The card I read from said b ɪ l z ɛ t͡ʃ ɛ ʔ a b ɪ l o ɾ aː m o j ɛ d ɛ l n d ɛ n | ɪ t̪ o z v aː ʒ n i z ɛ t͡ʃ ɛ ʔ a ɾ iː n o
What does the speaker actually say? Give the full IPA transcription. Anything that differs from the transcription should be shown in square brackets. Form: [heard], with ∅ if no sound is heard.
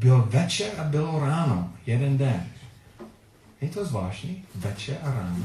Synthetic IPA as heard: b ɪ l [v] ɛ t͡ʃ ɛ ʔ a b ɪ l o ɾ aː [n] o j ɛ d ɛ [∅] n d ɛ n | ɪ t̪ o z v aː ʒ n i [v] ɛ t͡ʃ ɛ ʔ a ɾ [aː] n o